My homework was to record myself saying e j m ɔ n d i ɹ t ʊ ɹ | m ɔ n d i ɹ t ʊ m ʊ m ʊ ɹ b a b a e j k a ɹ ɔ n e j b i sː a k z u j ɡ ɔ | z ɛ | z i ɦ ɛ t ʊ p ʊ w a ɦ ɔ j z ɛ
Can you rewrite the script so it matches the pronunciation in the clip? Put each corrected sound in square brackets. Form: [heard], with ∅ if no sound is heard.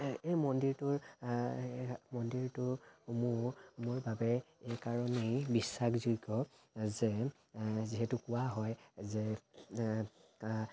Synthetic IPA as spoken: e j m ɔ n d i ɹ t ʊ ɹ | m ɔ n d i ɹ t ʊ m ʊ m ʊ ɹ b a b [ɛ] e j k a ɹ ɔ n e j b i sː a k z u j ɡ ɔ | z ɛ | z i ɦ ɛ t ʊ [k] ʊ w a ɦ ɔ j z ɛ